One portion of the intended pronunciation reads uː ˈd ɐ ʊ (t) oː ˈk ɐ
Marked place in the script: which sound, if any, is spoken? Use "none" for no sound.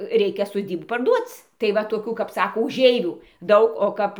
k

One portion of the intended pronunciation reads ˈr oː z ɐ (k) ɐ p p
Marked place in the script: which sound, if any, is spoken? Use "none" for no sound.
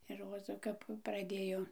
k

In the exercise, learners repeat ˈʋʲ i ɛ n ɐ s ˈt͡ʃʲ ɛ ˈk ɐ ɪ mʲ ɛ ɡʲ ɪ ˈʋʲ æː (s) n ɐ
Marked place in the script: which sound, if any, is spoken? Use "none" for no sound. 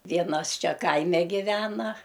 none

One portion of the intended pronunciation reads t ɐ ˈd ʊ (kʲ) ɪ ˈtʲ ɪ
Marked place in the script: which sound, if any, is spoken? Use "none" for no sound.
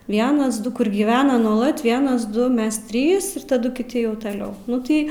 kʲ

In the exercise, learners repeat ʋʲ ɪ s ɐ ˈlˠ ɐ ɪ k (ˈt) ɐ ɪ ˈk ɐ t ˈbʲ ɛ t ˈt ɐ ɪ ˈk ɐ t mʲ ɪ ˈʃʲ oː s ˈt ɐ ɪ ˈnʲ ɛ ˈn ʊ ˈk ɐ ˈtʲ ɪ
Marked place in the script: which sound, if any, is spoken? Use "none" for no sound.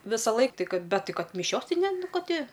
t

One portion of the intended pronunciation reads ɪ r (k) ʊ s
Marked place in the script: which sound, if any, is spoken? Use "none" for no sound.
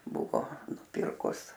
k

